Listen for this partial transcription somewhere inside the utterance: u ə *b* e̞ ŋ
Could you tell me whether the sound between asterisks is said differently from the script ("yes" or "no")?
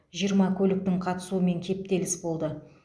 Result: yes